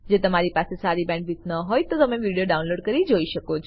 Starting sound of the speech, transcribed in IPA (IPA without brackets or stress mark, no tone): d͡ʒ